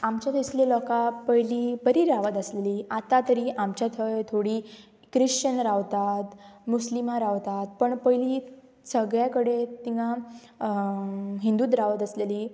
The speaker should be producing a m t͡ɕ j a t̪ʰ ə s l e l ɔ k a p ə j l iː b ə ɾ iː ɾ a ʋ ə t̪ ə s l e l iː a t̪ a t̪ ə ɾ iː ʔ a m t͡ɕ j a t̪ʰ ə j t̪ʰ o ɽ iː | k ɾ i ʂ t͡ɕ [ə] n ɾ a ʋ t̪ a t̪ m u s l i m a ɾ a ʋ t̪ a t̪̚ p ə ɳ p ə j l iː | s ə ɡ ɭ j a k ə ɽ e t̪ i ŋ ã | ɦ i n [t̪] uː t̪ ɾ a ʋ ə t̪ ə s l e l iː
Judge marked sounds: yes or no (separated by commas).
yes, no